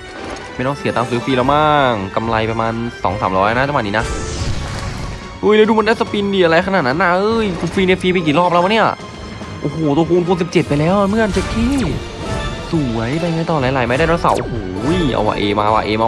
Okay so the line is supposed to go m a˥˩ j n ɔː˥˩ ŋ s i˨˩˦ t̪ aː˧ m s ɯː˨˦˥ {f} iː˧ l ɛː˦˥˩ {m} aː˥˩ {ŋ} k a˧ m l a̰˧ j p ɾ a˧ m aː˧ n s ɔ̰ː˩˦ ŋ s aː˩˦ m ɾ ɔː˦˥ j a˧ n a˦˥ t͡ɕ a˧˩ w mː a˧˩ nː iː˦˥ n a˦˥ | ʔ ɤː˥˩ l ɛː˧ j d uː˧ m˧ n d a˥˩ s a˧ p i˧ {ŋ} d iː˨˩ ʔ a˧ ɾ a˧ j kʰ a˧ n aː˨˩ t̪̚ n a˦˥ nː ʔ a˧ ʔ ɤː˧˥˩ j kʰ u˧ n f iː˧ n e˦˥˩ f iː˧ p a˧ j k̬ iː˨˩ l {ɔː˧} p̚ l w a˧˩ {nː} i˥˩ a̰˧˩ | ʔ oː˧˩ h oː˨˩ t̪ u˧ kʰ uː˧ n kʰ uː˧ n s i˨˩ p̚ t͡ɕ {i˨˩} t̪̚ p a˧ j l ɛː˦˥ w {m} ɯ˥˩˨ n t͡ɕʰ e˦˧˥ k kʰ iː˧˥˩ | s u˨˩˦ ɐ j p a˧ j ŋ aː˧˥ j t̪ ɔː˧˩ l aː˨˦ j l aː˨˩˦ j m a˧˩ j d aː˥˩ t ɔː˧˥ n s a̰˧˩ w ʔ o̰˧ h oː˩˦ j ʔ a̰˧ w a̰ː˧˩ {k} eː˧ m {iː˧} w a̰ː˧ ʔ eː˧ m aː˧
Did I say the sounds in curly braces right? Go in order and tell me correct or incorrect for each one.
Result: correct, correct, correct, incorrect: n, incorrect: ɔː˥˩, incorrect: n, incorrect: e˨˩, correct, incorrect: ʔ, incorrect: aː˧

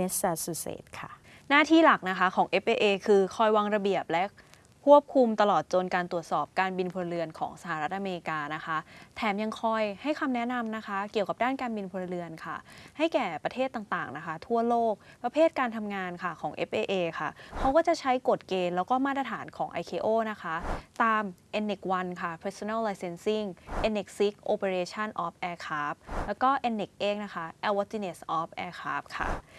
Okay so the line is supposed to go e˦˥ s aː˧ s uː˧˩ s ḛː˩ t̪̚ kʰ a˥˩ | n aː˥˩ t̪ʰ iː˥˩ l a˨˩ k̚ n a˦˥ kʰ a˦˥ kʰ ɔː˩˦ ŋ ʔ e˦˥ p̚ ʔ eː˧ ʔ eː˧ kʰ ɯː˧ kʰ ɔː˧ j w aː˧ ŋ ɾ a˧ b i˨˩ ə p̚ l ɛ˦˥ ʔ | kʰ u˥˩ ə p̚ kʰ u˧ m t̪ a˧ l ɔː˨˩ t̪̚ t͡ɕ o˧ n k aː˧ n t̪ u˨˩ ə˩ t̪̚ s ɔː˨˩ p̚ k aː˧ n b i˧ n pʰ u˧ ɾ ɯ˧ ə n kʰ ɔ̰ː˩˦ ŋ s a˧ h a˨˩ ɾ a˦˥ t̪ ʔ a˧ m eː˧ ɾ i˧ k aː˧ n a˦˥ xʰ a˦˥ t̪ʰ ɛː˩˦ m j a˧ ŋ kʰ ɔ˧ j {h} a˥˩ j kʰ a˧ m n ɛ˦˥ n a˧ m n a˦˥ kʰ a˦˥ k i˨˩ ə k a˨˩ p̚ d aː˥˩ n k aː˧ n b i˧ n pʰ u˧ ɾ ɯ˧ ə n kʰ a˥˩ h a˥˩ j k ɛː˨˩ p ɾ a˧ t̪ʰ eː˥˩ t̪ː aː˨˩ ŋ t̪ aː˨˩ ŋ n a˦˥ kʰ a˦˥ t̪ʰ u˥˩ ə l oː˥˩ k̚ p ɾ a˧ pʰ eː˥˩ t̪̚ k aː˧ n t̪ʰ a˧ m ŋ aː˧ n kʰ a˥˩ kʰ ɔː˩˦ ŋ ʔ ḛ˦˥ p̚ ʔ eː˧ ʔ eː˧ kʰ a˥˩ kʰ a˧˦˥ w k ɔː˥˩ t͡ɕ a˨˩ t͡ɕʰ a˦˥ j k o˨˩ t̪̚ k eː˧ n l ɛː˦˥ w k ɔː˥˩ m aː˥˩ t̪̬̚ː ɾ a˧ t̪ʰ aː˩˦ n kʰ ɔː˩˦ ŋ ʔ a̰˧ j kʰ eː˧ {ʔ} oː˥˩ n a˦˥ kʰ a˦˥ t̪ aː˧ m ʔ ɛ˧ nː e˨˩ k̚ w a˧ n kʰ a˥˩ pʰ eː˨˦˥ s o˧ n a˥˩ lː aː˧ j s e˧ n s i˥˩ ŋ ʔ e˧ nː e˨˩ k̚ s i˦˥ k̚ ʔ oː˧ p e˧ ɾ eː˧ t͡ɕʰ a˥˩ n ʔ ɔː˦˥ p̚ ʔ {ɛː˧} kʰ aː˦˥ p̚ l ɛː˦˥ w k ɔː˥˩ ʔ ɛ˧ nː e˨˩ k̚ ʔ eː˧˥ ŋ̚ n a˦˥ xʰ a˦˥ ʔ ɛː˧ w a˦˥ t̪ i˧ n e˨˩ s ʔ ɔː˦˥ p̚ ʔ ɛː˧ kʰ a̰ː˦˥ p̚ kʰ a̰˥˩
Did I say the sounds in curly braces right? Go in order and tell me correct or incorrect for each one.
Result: correct, correct, correct

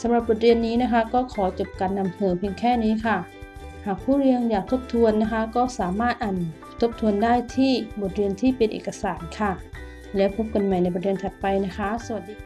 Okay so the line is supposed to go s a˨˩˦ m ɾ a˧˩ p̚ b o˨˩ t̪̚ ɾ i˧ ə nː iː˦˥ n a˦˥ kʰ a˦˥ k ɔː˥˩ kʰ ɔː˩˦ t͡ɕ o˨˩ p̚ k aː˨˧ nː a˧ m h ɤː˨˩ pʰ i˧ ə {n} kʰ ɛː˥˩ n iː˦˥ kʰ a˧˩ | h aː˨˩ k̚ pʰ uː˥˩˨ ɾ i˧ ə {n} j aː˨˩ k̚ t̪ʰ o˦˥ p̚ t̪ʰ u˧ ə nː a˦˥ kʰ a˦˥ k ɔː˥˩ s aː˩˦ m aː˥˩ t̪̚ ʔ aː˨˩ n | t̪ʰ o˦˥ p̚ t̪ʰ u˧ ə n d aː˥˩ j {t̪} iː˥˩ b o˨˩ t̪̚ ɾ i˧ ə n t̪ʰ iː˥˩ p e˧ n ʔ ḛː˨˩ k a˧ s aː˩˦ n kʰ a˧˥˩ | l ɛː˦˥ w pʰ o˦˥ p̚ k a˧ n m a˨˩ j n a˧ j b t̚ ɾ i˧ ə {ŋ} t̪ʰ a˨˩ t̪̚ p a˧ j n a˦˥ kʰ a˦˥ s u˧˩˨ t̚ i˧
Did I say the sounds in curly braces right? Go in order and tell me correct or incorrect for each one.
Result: incorrect: ŋ, incorrect: ŋ, incorrect: t̪ʰ, incorrect: n

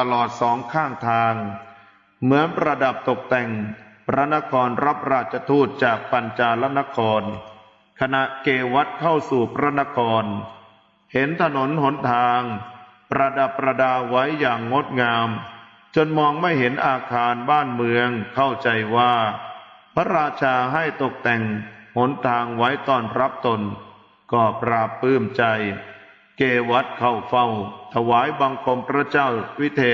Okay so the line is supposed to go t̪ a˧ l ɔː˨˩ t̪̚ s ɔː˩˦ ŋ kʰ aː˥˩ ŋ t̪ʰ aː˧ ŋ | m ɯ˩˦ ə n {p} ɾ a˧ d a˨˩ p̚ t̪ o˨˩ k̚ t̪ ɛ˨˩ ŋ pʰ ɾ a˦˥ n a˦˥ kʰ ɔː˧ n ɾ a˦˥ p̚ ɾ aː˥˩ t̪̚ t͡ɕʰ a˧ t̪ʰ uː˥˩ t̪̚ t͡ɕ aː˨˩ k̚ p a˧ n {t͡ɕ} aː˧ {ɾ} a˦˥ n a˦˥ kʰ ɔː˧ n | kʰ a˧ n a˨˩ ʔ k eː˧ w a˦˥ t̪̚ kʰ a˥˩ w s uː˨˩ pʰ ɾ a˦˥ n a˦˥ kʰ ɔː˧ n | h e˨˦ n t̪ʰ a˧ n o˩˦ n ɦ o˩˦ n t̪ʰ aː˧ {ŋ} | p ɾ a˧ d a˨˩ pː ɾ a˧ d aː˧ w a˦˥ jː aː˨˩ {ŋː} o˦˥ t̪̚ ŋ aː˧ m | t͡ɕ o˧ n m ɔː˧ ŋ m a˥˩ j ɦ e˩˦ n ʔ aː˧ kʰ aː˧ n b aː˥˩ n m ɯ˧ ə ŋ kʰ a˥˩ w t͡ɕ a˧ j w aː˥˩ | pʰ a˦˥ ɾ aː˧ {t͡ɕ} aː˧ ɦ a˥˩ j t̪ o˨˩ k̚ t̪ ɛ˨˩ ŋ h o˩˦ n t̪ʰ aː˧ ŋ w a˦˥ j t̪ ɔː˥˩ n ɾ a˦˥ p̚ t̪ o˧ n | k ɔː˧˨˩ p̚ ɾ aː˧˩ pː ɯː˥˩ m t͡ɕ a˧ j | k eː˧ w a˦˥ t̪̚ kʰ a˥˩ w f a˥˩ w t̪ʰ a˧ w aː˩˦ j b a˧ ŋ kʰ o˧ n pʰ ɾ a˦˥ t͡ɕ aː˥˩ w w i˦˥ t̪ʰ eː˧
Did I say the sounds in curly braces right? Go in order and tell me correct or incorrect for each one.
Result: correct, correct, incorrect: l, correct, correct, incorrect: t͡ɕʰ

